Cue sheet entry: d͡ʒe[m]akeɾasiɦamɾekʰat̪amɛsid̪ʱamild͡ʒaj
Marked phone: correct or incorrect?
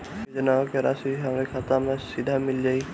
incorrect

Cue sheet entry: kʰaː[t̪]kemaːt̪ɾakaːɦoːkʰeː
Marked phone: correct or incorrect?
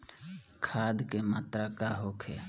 incorrect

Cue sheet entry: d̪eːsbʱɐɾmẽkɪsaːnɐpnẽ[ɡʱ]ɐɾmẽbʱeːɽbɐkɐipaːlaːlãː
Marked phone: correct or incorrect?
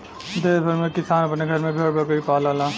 correct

